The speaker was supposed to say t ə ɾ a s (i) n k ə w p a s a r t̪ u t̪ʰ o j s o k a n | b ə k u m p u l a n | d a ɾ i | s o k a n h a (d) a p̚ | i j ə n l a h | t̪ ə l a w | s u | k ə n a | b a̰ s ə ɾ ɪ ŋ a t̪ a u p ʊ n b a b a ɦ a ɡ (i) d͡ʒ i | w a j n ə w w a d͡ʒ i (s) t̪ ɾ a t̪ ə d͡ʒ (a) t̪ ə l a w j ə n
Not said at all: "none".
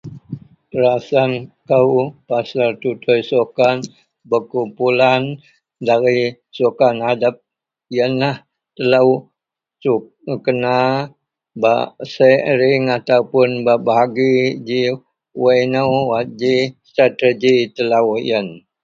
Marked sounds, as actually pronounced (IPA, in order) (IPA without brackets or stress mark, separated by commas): a, d, i, s, i